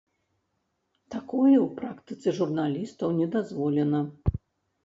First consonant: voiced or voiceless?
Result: voiceless